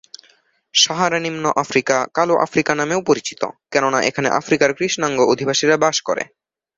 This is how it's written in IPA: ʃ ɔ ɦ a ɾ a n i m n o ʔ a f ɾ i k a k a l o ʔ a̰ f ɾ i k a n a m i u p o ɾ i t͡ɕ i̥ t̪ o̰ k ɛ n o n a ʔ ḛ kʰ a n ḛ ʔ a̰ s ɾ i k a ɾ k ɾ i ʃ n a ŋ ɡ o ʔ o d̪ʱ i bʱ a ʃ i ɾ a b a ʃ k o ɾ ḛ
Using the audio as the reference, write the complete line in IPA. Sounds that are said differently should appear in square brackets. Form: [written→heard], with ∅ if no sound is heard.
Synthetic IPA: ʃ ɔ ɦ a ɾ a n i m n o ʔ a f ɾ i k a k a l o ʔ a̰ f ɾ i k a n a m [i→e] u p o ɾ i t͡ɕ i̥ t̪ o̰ k ɛ n o n a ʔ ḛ kʰ a n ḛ ʔ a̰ [s→f] ɾ i k a ɾ k ɾ i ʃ n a ŋ ɡ o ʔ o d̪ʱ i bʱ a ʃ i ɾ a b a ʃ k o ɾ ḛ